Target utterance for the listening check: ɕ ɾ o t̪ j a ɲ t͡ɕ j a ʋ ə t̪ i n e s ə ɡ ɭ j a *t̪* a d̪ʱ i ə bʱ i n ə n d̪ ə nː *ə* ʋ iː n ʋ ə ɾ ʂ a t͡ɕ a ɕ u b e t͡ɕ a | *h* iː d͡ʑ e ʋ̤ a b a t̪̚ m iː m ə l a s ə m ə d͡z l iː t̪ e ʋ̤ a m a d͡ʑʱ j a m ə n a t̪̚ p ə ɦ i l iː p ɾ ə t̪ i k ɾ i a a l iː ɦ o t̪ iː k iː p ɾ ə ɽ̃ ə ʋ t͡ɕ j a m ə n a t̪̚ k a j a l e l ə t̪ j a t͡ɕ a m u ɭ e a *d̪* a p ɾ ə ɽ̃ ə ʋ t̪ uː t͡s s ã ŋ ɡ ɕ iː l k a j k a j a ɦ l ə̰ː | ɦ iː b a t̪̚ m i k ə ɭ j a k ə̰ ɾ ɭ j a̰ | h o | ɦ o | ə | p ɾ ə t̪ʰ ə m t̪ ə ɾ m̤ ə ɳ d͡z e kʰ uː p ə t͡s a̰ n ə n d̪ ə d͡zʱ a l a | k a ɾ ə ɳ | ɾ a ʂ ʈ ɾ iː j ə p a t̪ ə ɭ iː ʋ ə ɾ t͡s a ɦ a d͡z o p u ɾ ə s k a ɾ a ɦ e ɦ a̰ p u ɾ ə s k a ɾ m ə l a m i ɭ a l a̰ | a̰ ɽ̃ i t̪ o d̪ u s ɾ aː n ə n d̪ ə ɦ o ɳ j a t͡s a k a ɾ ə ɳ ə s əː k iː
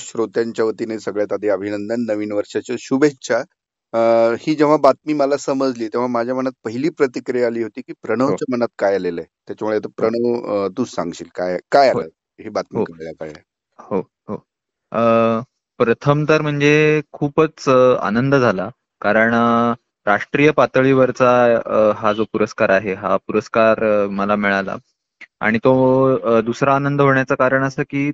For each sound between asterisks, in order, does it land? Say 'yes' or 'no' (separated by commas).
yes, yes, yes, no